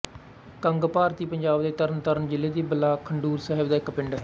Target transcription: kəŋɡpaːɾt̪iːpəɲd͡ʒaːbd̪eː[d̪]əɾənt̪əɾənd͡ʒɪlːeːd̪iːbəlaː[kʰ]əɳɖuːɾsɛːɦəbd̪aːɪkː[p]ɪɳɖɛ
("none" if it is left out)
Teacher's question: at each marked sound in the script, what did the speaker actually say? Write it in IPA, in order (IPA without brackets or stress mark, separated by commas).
t̪, kʰ, p